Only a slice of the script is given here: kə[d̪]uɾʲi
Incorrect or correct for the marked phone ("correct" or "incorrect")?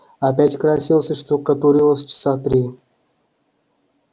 incorrect